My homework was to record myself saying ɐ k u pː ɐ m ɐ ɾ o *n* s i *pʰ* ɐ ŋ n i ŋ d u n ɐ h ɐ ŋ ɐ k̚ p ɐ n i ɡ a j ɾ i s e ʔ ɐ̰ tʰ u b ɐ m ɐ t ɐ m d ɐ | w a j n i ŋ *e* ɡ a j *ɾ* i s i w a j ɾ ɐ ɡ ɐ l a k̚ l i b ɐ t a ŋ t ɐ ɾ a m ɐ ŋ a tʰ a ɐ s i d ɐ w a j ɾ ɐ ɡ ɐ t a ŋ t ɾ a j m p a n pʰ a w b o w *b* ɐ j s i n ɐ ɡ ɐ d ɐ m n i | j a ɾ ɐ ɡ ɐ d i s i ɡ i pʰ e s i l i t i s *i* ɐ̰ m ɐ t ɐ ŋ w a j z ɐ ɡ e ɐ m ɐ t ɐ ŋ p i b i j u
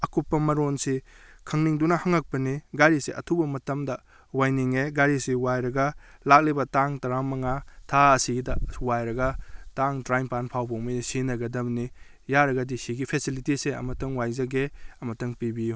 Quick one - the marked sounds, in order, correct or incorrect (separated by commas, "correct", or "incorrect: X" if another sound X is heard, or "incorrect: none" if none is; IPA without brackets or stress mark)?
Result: correct, incorrect: kʰ, correct, correct, incorrect: m, incorrect: e